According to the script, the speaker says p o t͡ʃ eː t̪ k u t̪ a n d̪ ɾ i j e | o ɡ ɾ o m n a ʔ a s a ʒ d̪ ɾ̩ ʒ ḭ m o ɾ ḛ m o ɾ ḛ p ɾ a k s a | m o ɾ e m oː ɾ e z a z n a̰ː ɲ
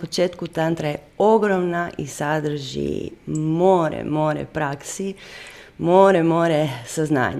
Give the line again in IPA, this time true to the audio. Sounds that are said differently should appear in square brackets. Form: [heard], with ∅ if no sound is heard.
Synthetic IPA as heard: p o t͡ʃ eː t̪ k u t̪ a n [t̪] ɾ [a] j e | o ɡ ɾ o m n a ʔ [i] s a [∅] d̪ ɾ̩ ʒ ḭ m o ɾ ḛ m o ɾ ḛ p ɾ a k s [i] | m o ɾ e m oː ɾ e [s] a z n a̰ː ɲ